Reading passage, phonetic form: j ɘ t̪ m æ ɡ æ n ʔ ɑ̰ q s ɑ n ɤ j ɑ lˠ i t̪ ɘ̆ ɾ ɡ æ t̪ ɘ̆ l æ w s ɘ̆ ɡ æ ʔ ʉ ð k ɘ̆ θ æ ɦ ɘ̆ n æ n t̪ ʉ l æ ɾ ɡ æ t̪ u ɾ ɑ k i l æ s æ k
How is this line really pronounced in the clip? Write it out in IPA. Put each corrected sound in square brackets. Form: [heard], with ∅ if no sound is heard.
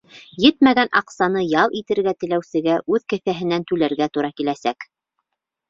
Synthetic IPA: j ɘ t̪ m æ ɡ æ n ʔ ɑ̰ q s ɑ n ɤ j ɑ lˠ i t̪ ɘ̆ ɾ ɡ æ t̪ ɘ̆ l æ w s ɘ̆ ɡ æ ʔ ʉ ð k ɘ̆ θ æ ɦ ɘ̆ n æ n t̪ ʉ l æ ɾ ɡ æ t̪ u ɾ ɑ k i l æ s æ k